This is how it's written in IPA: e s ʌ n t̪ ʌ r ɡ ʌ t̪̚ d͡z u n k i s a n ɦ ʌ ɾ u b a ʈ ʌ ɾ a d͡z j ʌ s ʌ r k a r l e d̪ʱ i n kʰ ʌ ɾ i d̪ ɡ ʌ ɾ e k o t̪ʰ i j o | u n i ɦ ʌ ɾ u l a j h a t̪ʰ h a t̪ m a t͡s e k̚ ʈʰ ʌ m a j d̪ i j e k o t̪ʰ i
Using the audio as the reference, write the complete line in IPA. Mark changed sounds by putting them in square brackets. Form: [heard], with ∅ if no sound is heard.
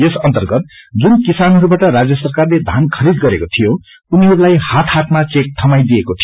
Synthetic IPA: e s ʌ n t̪ ʌ r ɡ ʌ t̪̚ d͡z u n k i s a n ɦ ʌ ɾ u b a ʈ ʌ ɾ a d͡z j ʌ s ʌ r k a r l e d̪ʱ [a] n kʰ ʌ ɾ i d̪ ɡ ʌ ɾ e k o t̪ʰ i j o | u n i ɦ ʌ ɾ u l a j h a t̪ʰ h a t̪ m a t͡s e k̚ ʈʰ ʌ m a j d̪ i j e k o t̪ʰ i